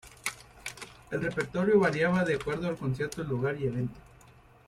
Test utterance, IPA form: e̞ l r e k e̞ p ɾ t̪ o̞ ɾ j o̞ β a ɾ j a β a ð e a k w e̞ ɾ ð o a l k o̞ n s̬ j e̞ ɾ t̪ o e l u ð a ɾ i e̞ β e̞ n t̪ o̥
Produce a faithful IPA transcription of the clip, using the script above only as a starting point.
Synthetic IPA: e̞ l r e p e̞ ɾ t̪ o̞ ɾ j o̞ β a ɾ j a β a ð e a k w e̞ ɾ ð o a l k o̞ n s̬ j e̞ ɾ t̪ o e l u ɣ a ɾ i e̞ β e̞ n t̪ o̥